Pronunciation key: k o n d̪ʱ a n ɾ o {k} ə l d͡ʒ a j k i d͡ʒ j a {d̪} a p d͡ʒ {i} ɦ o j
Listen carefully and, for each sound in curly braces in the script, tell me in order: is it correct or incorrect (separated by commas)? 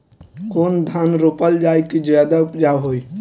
incorrect, correct, incorrect